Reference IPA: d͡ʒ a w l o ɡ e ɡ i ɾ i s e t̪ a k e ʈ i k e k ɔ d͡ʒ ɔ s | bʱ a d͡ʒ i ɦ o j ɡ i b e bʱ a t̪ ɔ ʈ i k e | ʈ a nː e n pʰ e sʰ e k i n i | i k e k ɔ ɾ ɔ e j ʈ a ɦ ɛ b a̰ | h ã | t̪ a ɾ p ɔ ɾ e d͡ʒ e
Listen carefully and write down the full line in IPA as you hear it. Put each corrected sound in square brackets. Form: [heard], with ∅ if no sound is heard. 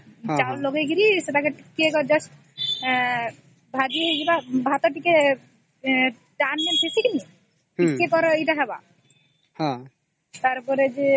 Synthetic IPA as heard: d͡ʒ a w l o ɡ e ɡ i ɾ i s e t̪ a k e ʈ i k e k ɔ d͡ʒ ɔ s | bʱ a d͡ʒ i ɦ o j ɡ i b [a] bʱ a t̪ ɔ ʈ i k e | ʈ a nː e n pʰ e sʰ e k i n i | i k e k ɔ ɾ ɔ e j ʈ a ɦ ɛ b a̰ | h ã | t̪ a ɾ p ɔ ɾ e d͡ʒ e